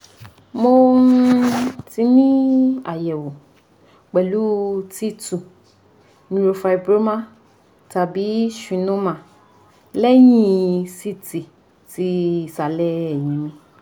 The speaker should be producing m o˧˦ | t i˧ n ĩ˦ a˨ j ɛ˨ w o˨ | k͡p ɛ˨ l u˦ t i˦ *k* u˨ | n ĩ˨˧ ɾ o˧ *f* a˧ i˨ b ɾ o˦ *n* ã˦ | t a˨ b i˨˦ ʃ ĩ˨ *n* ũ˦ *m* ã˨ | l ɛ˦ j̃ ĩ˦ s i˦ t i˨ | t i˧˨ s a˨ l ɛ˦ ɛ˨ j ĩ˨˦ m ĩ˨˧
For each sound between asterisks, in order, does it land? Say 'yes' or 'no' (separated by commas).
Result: no, yes, no, yes, yes